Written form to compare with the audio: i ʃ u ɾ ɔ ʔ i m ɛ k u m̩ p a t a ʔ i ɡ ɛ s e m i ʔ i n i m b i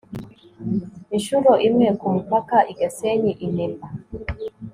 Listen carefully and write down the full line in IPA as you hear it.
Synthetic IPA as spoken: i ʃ u ɾ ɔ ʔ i m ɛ k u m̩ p a k a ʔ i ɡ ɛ s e ɲ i ʔ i n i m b a